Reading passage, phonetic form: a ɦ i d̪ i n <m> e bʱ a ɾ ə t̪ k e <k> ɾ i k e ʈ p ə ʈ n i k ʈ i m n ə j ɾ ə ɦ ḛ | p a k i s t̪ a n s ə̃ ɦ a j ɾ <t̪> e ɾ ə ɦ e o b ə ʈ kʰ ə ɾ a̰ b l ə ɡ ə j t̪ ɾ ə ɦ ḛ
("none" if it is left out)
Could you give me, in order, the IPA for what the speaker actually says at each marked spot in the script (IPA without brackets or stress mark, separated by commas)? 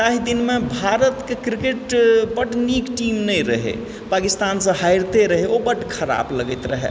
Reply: m, k, t̪